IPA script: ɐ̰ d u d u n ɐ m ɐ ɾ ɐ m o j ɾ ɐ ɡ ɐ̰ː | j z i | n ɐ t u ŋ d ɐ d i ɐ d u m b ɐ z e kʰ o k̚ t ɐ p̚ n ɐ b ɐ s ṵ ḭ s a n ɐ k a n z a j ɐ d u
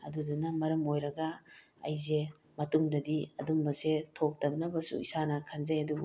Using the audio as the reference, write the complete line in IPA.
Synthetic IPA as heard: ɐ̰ d u d u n ɐ m ɐ ɾ ɐ m o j ɾ ɐ ɡ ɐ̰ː | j z e | m ɐ t u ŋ d ɐ d i ɐ d u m b ɐ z e tʰ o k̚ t ɐ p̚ n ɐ b ɐ s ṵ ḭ s a n ɐ kʰ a n z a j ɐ d u